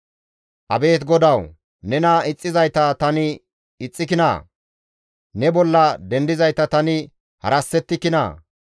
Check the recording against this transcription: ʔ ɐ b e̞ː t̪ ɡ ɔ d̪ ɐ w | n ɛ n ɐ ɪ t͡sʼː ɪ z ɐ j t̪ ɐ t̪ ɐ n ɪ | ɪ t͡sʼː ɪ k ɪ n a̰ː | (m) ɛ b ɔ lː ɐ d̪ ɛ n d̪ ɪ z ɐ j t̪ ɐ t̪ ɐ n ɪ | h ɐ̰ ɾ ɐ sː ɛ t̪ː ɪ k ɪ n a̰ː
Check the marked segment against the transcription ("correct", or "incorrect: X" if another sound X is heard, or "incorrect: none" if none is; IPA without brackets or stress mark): incorrect: n